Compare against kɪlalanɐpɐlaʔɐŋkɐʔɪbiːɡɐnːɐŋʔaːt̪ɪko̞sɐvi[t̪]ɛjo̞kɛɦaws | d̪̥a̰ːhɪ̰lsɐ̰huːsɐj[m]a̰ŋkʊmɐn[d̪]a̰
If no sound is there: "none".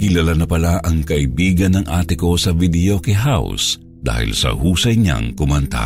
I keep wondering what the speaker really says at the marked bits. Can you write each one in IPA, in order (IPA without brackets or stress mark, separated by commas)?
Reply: d̪, ɲ, t̪